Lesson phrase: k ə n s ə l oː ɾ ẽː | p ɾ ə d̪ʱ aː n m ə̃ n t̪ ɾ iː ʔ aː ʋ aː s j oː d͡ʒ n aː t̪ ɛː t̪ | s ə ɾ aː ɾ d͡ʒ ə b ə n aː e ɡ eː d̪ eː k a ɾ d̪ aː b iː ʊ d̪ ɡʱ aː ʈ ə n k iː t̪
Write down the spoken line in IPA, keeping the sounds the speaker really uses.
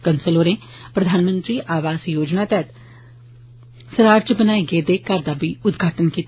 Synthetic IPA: k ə n s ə l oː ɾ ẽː | p ɾ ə d̪ʱ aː n m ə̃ n t̪ ɾ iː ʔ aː ʋ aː s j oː d͡ʒ n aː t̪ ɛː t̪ | s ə ɾ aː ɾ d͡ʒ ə b ə n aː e ɡ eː d̪ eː k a ɾ d̪ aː b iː ʊ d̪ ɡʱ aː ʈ ə n k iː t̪